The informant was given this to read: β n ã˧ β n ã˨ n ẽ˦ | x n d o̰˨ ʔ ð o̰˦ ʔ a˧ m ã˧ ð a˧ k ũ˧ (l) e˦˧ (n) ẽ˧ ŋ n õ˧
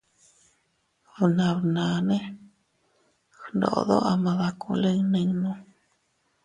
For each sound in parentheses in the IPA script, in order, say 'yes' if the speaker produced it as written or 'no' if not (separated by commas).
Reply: yes, yes